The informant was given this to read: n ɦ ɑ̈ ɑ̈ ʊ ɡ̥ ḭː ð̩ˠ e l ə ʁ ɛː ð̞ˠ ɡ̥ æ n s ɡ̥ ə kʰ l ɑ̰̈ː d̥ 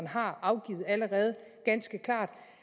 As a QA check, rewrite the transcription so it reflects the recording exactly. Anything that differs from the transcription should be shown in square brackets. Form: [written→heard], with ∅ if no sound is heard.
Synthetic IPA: n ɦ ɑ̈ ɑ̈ ʊ ɡ̥ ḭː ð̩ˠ [e→æ] l ə ʁ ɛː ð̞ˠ ɡ̥ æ n s ɡ̥ ə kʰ l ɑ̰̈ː d̥